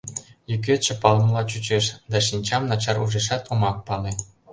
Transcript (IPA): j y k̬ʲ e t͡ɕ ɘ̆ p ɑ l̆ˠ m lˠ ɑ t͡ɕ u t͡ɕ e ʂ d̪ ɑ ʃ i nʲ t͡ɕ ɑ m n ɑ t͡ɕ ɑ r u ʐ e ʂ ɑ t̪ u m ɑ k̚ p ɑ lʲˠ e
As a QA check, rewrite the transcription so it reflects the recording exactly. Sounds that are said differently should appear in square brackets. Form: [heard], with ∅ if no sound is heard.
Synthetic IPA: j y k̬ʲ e t͡ɕ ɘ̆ p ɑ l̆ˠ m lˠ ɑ t͡ɕ u t͡ɕ e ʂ d̪ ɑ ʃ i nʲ t͡ɕ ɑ m n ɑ t͡ɕ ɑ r u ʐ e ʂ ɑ t̪ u m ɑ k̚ p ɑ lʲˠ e